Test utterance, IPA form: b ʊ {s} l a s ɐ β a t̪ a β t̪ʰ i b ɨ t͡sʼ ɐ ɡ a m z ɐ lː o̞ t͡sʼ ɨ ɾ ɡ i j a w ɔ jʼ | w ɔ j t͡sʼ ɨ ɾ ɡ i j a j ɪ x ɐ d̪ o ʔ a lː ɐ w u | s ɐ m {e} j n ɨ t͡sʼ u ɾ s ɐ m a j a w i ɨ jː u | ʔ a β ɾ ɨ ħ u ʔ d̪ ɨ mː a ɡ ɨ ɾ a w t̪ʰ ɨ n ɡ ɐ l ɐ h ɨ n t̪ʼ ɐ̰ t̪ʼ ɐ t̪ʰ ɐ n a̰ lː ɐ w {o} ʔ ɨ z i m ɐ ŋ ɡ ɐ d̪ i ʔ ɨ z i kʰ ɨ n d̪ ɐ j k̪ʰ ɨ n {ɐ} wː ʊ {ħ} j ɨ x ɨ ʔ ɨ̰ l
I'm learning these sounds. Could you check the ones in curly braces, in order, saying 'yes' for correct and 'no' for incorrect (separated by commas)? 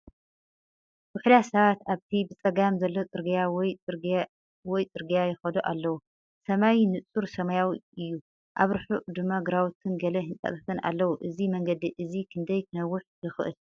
no, no, no, yes, yes